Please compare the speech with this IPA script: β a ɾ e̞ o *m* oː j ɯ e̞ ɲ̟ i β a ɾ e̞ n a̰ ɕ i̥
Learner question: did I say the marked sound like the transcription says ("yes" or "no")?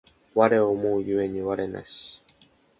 yes